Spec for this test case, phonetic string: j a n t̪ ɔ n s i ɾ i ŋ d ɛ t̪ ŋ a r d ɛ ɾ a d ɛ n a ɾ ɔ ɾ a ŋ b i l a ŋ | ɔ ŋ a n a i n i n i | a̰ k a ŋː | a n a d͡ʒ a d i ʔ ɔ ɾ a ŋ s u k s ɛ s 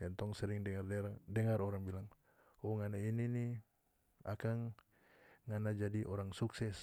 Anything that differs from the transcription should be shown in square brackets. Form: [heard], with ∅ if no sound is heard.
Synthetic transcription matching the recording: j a n t̪ ɔ [ŋ] s [ɛ] ɾ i ŋ d ɛ [∅] ŋ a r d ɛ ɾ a d ɛ [ŋ] a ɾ ɔ ɾ a ŋ b i l a ŋ | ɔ ŋ a n a i n i n i | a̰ k a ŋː | a n a d͡ʒ a d i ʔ ɔ ɾ a ŋ s u k s ɛ s